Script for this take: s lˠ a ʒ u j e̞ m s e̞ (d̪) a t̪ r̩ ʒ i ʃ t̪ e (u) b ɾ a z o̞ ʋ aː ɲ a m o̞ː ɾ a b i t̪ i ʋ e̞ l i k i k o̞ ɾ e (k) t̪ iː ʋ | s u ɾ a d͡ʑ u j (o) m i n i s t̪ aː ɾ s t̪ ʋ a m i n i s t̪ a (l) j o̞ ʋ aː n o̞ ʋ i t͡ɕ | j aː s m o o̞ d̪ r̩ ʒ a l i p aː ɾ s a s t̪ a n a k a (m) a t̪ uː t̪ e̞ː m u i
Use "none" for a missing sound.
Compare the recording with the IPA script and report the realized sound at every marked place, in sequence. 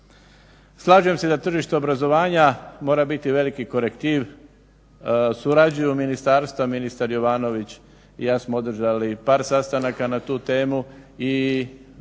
d̪, o, k, u, ɾ, n

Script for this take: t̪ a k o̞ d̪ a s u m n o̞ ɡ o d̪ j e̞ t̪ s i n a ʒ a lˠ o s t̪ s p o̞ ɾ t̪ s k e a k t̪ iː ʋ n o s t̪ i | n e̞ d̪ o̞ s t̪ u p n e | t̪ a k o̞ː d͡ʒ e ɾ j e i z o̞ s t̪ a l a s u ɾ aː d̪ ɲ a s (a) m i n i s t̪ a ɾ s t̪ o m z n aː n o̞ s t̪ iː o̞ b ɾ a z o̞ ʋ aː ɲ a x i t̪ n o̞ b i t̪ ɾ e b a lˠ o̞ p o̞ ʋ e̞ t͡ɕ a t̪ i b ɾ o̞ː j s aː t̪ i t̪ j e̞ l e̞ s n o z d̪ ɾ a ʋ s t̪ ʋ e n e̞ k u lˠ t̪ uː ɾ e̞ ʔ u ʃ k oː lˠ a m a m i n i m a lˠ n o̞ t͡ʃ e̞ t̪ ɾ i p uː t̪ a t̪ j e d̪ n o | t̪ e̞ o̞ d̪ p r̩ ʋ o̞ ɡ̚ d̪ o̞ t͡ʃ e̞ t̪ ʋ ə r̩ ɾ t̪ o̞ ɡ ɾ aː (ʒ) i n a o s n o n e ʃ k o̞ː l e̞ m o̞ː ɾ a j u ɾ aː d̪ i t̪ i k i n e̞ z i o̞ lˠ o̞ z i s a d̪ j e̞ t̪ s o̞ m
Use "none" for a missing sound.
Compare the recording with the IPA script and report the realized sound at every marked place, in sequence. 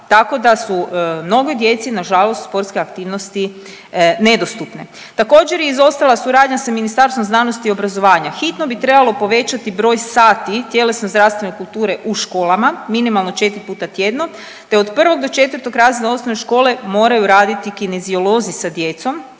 a, z

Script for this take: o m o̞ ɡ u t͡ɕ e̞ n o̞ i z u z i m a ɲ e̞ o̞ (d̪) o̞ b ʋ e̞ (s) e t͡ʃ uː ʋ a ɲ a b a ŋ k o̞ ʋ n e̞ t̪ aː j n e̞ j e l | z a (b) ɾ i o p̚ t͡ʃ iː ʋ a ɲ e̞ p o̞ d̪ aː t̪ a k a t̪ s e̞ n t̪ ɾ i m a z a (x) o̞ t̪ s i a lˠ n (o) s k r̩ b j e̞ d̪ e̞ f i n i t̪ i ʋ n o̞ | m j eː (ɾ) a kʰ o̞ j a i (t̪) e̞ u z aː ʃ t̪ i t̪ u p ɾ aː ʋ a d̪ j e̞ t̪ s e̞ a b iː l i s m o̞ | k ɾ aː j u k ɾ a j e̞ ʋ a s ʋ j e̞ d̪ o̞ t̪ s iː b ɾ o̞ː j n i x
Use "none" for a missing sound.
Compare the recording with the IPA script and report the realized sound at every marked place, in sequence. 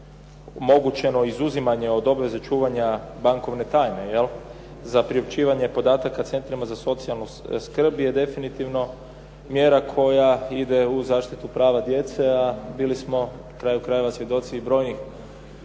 d̪, z, p, s, u, ɾ, d̪

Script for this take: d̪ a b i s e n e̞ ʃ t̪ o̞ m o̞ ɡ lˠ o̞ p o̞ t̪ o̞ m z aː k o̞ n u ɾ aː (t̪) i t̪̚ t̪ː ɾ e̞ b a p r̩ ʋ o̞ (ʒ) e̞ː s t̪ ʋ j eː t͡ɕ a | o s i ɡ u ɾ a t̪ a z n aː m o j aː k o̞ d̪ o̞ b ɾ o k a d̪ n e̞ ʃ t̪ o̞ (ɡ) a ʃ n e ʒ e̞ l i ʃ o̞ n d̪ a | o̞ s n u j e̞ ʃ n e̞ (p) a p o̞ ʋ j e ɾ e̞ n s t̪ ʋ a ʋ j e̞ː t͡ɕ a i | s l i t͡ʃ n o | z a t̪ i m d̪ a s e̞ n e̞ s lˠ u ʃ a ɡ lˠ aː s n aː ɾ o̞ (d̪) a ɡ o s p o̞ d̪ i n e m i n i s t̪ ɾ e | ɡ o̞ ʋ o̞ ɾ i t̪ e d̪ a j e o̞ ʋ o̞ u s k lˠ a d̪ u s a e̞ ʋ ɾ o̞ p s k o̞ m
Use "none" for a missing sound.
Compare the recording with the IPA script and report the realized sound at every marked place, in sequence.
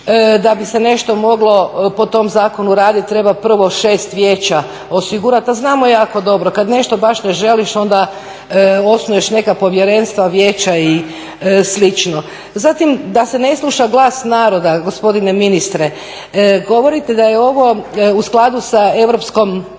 d̪, ʃ, b, k, d̪

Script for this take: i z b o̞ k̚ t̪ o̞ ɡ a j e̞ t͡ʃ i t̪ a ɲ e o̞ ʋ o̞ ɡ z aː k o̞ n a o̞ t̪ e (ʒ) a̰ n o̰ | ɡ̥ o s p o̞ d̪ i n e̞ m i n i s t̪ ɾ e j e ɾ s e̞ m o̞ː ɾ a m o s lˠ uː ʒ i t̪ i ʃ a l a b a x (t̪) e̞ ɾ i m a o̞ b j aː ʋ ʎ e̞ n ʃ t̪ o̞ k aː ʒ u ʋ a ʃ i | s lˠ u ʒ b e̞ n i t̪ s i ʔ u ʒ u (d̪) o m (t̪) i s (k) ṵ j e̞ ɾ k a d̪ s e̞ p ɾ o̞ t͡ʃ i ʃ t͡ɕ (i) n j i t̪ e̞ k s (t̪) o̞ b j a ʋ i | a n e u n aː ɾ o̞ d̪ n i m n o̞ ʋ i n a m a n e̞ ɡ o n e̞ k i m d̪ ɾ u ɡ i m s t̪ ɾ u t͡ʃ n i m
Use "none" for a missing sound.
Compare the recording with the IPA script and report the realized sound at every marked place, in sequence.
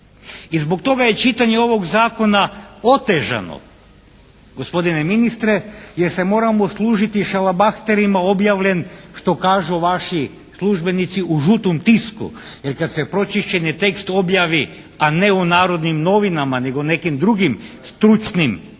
ʒ, t̪, t̪, t̪, k, e, t̪

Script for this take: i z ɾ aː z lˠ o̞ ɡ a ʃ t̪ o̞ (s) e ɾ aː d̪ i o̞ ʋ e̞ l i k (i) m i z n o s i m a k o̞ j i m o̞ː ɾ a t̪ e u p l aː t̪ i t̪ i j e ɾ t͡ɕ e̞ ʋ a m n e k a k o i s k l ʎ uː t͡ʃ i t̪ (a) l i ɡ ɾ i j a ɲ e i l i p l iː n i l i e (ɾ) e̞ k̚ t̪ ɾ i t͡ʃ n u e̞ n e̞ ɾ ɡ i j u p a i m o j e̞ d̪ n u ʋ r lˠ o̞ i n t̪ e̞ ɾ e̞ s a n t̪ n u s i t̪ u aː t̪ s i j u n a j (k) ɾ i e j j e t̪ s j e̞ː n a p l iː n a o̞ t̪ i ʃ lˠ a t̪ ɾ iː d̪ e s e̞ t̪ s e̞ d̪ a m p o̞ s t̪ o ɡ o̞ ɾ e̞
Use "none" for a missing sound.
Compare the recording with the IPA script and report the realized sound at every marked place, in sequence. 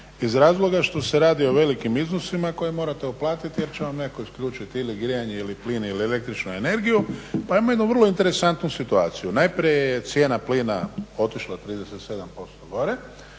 s, i, i, l, p

